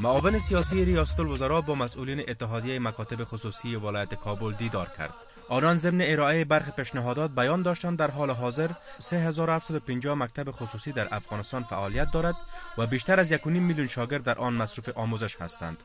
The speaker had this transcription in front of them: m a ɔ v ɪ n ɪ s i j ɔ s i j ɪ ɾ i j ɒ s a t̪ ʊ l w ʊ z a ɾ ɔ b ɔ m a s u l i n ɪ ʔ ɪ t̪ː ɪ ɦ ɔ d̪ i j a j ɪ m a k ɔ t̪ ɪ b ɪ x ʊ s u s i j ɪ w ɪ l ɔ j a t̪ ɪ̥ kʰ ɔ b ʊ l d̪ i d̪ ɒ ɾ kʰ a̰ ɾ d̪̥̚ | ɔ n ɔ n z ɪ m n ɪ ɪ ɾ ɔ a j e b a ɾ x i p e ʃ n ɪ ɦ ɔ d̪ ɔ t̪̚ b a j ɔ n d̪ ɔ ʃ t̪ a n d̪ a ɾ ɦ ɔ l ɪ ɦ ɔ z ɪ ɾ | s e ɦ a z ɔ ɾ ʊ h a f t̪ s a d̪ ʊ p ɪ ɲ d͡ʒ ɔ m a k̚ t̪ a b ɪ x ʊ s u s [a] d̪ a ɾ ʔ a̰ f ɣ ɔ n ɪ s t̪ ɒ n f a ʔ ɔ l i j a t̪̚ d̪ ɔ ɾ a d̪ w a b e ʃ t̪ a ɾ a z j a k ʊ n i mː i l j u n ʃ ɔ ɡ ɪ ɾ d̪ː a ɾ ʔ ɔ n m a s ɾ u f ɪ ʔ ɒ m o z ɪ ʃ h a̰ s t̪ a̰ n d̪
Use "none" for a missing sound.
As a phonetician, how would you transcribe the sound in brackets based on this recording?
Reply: i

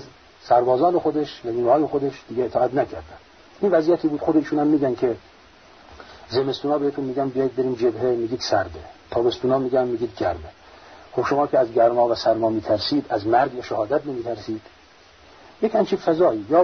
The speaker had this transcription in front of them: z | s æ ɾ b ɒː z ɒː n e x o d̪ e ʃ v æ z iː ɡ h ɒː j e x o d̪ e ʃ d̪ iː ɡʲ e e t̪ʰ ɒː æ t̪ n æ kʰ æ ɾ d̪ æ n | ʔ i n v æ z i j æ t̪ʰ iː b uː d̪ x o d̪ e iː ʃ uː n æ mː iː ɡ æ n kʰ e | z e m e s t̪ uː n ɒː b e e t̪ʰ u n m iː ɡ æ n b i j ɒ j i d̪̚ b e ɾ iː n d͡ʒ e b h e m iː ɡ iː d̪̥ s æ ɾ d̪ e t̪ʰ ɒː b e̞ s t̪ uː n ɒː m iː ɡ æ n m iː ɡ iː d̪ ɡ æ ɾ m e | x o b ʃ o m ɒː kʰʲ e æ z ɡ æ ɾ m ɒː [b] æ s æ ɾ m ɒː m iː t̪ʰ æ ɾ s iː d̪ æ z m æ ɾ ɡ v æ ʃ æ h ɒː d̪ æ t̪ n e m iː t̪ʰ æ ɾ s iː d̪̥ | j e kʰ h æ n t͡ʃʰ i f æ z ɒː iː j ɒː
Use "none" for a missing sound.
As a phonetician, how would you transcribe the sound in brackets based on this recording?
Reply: v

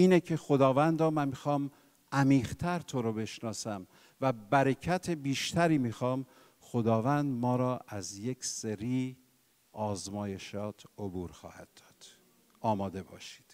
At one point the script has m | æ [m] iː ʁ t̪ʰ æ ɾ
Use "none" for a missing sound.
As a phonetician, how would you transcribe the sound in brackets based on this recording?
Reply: m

